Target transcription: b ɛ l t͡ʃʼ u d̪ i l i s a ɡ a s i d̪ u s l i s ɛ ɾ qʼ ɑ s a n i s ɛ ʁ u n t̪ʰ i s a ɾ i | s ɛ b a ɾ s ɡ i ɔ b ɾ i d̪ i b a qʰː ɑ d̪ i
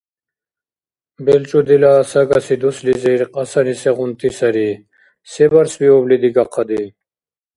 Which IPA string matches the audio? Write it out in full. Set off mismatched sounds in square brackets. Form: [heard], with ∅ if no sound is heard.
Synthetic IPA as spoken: b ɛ l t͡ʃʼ u d̪ i l [a] s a ɡ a s i d̪ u s l i [z] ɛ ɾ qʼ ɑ s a n i s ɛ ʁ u n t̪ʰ i s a ɾ i | s ɛ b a ɾ s [b] i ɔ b [l] i d̪ i [ɡ] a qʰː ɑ d̪ i